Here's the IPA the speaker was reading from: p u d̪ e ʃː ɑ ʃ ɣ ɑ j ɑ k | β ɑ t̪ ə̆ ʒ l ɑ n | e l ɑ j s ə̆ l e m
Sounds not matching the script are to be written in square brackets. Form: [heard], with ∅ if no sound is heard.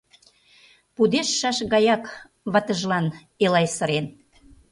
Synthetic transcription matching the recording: p u d̪ e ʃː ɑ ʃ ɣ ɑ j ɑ k | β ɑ t̪ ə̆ ʒ l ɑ n | e l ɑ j s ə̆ [ɾ] e [n]